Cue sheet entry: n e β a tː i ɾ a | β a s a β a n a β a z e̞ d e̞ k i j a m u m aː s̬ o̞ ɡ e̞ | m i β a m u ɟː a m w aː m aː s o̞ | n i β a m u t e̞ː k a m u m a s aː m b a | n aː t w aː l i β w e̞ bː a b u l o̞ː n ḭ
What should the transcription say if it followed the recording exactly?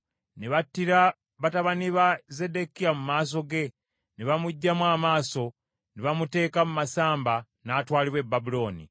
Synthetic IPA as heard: n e β a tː i ɾ a | β a t a β a n i β a z e̞ d e̞ k i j a m u m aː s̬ o̞ ɡ e̞ | n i β a m u ɟː a m w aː m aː s o̞ | n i β a m u t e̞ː k a m u m a s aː m b a | n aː t w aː l i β w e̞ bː a b u l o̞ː n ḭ